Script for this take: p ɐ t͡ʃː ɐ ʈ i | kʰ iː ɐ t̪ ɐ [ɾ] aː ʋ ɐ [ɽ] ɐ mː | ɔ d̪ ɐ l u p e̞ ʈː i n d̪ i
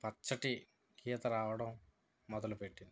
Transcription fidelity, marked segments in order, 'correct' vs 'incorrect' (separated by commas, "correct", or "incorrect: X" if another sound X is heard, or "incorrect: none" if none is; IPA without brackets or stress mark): correct, correct